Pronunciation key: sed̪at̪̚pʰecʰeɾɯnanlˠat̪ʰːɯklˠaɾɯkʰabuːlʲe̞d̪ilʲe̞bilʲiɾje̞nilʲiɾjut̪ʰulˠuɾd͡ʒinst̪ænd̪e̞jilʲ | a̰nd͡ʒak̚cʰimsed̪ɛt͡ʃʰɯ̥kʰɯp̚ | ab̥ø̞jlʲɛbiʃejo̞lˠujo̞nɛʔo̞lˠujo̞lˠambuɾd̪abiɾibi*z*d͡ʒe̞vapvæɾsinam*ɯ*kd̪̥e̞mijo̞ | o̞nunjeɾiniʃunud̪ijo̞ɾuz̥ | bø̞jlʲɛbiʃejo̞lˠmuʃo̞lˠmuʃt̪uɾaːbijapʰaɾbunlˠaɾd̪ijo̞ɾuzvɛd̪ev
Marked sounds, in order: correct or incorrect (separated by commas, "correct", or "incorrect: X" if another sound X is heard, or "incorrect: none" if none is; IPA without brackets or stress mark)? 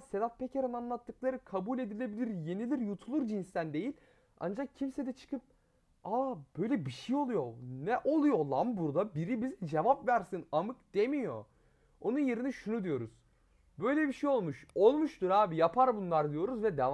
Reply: correct, correct